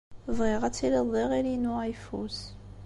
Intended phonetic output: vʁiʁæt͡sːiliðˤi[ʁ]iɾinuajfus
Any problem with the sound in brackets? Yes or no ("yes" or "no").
no